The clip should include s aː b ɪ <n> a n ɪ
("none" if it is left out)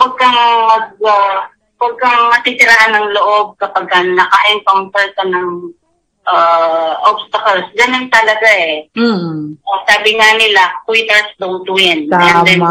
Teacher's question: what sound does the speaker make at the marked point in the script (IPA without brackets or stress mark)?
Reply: ŋ